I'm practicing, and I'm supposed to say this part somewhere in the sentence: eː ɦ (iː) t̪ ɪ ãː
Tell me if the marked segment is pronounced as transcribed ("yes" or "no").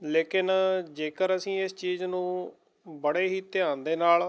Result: yes